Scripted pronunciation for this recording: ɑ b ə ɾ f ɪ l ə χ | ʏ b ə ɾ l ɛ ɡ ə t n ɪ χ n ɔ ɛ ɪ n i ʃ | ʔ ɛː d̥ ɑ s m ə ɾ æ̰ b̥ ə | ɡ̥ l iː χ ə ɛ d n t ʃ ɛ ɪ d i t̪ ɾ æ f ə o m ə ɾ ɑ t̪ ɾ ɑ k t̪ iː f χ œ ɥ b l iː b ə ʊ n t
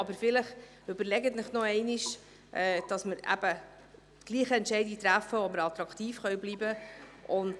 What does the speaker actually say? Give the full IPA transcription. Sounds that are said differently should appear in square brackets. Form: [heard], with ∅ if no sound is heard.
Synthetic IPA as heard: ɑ b ə ɾ f ɪ l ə χ | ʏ b ə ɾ l ɛ ɡ ə t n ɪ χ n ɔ ɛ ɪ n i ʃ | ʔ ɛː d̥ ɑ s m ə ɾ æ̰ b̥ ə | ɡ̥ l iː χ ə ɛ [∅] n t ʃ ɛ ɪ d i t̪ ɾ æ f ə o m ə ɾ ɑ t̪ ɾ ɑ k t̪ iː f χ œ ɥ b l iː b ə ʊ n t